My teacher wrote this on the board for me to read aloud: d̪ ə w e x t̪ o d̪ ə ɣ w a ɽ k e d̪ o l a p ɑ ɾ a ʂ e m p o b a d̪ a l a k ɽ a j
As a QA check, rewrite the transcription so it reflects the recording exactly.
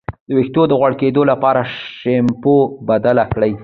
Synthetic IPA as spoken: d̪ ə w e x t̪ o d̪ ə ɣ w a ɽ k e d̪ o l a p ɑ ɾ a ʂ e m p o b a d̪ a l a k ɽ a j